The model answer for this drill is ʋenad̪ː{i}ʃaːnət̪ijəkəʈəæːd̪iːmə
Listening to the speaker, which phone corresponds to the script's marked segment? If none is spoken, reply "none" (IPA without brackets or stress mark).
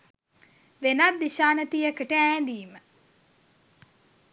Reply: i